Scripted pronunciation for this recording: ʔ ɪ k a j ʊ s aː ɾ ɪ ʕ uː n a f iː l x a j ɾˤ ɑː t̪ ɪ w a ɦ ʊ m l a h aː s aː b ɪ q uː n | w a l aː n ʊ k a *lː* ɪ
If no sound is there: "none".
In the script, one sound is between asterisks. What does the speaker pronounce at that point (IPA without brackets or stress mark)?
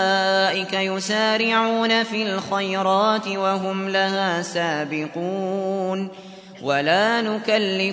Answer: lː